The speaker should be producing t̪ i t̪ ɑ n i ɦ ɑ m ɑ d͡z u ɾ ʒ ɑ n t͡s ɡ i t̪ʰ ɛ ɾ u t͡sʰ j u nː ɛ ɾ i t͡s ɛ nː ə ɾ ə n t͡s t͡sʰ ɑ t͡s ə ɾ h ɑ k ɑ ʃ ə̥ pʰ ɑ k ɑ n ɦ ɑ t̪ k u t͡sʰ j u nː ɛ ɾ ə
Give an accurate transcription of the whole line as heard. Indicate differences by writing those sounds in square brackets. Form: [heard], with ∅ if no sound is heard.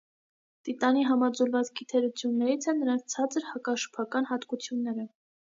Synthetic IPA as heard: t̪ i t̪ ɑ n i ɦ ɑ m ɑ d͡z u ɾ [v] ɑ [∅] t͡s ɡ i t̪ʰ ɛ ɾ u t͡sʰ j u nː ɛ ɾ i [t͡sʰ] ɛ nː ə ɾ [ɑ] n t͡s t͡sʰ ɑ t͡s ə ɾ h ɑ k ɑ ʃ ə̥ pʰ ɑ k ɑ n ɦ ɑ t̪ k u t͡sʰ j u nː ɛ ɾ ə